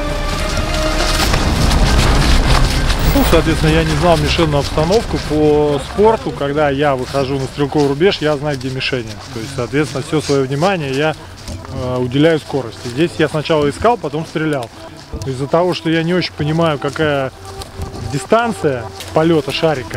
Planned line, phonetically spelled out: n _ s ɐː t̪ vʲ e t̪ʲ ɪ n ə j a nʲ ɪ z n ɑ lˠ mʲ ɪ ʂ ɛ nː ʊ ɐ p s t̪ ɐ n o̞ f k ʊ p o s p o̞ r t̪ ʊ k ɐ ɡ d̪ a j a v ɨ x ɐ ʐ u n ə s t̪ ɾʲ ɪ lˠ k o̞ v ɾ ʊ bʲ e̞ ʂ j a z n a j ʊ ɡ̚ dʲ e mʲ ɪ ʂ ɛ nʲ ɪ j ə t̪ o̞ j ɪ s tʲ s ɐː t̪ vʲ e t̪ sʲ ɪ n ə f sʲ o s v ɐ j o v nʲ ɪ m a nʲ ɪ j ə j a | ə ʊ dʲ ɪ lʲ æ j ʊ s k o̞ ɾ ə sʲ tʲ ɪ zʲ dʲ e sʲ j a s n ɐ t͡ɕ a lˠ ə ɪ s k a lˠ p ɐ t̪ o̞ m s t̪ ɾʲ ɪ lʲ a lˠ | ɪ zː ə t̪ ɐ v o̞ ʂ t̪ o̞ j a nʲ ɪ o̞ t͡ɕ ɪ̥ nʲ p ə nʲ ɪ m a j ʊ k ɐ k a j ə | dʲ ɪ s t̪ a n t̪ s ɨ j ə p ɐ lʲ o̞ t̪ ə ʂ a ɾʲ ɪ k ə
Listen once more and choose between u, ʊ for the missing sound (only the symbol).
u